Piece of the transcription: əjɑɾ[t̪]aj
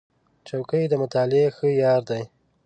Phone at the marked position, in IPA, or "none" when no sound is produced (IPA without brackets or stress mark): d̪